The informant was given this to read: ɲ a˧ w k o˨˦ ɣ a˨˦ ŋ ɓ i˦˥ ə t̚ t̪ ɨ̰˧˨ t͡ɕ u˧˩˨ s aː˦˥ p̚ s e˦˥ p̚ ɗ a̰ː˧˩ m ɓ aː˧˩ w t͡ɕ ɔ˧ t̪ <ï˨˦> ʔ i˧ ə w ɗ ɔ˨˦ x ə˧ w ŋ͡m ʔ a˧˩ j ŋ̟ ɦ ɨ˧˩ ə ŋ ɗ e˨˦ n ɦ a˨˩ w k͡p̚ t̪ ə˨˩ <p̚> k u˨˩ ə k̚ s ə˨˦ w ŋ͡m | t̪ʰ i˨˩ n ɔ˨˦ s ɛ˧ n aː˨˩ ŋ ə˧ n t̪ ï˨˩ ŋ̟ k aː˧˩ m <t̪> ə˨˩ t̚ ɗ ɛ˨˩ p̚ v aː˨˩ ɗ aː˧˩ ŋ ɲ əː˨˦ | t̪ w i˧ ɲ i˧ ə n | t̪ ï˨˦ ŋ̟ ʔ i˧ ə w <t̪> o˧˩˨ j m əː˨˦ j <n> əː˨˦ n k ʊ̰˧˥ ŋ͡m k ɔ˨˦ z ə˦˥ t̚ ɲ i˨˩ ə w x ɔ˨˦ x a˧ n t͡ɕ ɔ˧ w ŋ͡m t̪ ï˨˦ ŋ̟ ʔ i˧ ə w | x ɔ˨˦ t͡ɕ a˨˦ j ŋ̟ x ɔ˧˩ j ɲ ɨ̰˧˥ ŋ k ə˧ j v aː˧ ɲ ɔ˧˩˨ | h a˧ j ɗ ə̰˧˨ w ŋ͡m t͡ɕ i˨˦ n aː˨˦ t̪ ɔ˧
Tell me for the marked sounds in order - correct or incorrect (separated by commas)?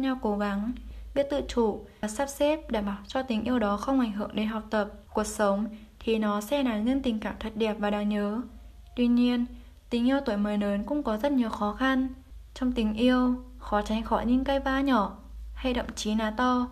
correct, correct, incorrect, correct, correct